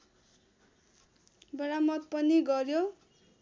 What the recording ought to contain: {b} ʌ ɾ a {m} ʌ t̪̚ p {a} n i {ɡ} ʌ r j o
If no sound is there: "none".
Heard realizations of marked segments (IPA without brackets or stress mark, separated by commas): b, m, ʌ, ɡ